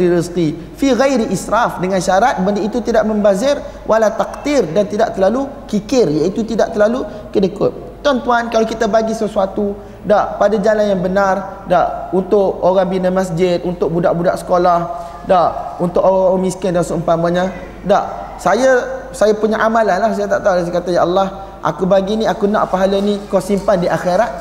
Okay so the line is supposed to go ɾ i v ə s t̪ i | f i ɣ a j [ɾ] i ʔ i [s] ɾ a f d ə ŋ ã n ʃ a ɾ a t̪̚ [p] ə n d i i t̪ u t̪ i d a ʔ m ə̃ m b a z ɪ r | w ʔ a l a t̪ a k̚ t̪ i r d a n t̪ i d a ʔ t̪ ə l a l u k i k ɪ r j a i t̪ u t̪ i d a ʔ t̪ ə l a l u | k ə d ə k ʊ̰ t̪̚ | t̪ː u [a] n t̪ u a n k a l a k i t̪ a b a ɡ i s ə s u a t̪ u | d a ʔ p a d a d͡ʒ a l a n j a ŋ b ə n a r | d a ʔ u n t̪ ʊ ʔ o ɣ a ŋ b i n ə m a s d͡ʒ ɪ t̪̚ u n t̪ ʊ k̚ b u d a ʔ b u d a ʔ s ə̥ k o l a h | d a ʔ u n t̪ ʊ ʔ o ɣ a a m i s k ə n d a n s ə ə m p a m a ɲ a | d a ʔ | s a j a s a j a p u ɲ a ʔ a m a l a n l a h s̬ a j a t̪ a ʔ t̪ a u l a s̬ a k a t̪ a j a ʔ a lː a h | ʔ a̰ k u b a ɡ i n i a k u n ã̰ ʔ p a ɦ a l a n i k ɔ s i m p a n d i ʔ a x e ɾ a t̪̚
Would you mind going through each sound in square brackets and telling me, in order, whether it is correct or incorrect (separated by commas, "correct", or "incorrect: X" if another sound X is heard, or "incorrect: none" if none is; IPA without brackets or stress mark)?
correct, correct, incorrect: b, correct